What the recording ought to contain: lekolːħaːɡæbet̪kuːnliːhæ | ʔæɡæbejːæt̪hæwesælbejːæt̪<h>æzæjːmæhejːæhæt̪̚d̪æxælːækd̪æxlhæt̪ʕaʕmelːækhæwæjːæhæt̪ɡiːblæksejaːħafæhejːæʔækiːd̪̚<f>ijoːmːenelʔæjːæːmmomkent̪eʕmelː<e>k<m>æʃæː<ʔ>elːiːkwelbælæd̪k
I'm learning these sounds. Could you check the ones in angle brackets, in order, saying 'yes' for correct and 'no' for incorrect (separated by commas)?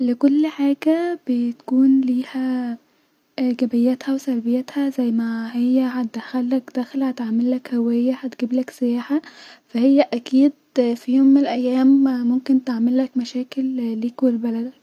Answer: yes, yes, no, yes, no